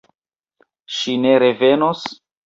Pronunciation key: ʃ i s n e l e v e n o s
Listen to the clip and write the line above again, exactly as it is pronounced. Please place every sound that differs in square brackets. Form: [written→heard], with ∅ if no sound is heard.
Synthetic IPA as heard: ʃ i [s→∅] n e [l→ɾ] e v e n o s